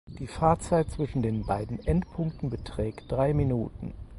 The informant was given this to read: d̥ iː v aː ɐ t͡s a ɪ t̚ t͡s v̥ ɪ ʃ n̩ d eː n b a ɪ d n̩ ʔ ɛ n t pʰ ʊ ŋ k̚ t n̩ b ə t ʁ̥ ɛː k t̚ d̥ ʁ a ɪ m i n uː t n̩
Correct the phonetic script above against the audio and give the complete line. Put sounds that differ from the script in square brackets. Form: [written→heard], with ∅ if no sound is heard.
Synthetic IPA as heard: d̥ iː [v→f] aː ɐ t͡s a ɪ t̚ t͡s v̥ ɪ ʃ n̩ d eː n b a ɪ d n̩ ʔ ɛ n t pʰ ʊ ŋ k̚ t n̩ b ə t ʁ̥ ɛː k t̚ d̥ ʁ a ɪ m i n uː t n̩